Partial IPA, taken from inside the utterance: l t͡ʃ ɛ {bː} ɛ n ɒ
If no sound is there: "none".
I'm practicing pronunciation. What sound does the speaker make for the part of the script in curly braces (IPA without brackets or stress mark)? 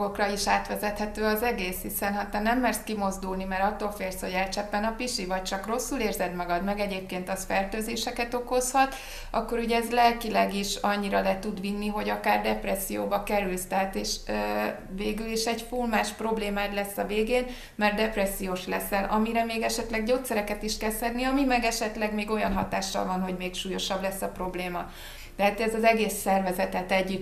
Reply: pː